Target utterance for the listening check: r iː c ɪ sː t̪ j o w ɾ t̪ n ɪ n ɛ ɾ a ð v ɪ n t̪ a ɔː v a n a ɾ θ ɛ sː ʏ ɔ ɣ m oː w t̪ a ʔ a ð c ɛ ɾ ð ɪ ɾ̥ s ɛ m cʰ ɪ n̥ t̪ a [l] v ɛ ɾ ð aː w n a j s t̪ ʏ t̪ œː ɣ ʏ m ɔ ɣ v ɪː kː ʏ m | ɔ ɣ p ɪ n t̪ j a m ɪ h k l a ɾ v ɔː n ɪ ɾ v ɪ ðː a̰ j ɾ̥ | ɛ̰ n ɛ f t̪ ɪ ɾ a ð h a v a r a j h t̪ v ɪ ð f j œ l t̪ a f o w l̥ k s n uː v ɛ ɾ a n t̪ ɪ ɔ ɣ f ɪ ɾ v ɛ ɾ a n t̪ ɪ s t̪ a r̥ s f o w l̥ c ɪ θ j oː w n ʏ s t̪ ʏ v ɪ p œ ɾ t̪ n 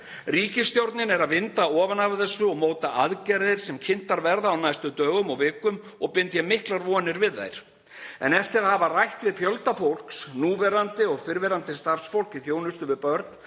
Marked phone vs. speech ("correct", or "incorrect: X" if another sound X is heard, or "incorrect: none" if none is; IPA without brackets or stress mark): incorrect: ɾ